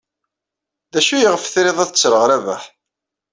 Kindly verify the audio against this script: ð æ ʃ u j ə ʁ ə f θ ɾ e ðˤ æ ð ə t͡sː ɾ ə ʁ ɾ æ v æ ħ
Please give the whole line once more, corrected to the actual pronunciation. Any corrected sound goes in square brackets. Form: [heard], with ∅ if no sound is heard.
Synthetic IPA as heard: ð æ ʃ u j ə ʁ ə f θ ɾ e ðˤ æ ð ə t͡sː ɾ ə ʁ ɾ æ v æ ħ